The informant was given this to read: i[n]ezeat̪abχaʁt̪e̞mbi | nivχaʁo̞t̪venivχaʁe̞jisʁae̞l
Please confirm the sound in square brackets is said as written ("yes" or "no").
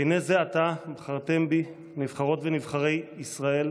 yes